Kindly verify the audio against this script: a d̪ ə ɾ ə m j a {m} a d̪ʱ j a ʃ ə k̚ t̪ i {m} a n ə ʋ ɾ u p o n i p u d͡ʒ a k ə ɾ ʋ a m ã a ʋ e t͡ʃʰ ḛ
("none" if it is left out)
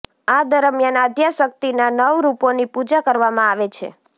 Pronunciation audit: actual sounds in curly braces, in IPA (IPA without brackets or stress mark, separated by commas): n, n